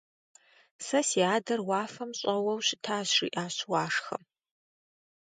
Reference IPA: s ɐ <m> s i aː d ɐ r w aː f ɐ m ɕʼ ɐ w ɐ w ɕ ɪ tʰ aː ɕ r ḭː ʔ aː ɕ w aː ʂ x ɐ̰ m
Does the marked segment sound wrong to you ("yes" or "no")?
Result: yes